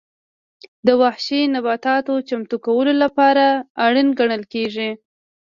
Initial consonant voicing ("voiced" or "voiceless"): voiced